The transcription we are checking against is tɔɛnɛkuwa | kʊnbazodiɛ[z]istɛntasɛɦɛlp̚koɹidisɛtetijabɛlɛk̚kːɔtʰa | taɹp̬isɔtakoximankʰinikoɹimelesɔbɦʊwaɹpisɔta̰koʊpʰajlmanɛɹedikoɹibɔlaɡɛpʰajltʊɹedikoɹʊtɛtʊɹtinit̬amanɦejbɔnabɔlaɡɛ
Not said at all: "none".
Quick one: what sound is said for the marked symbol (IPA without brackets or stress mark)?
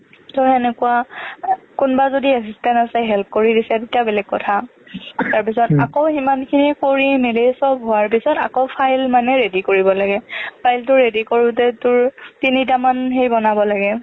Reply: s